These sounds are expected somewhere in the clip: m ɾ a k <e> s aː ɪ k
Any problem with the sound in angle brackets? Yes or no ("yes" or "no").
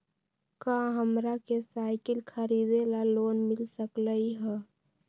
no